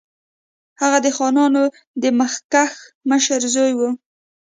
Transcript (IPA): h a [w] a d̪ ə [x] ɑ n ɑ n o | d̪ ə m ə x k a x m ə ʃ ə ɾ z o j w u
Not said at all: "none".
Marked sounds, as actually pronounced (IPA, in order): ɣ, x

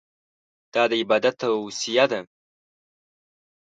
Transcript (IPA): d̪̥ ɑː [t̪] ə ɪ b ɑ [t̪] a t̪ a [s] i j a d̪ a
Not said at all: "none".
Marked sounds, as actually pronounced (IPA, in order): d̪, d̪, s

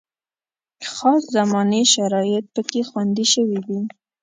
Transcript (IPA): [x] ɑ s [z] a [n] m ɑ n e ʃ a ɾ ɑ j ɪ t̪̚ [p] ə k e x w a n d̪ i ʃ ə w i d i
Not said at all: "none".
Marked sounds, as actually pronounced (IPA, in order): x, z, none, p

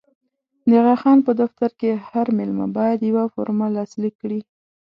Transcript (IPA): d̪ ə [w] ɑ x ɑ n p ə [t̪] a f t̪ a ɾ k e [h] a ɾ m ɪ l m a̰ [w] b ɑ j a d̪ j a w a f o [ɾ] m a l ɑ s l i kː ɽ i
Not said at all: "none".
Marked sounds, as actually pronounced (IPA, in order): ɣ, d̪, h, none, ɾ

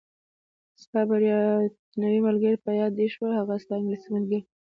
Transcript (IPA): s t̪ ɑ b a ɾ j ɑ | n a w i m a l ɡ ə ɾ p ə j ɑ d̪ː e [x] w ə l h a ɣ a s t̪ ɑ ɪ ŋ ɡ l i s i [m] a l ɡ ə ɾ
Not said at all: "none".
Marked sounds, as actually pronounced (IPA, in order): ʃ, m

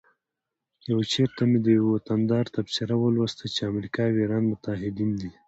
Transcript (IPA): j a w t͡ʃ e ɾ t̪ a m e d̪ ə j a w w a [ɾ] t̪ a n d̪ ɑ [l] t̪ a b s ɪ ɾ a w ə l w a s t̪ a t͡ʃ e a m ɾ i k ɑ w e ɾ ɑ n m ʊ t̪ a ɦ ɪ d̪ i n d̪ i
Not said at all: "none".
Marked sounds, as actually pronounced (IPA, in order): none, ɾ

